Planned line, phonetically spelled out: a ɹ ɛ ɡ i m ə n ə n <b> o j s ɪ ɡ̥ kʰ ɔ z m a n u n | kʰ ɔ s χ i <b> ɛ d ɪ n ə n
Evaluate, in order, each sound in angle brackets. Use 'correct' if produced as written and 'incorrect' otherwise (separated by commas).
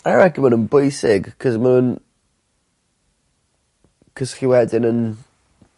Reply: correct, incorrect